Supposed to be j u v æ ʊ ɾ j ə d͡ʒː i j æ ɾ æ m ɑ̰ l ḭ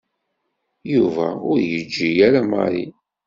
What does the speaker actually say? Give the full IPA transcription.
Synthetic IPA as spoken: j u v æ ʊ ɾ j ə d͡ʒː i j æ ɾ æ m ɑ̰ ɾ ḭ